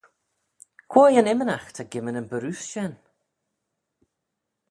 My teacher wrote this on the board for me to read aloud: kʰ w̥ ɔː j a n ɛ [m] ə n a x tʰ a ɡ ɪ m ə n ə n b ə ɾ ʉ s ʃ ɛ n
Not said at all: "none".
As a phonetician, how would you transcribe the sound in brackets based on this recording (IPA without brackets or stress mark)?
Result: m